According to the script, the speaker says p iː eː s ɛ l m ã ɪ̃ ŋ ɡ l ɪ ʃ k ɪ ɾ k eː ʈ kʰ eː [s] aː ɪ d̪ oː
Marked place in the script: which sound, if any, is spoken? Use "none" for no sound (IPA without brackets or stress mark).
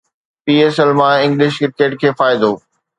f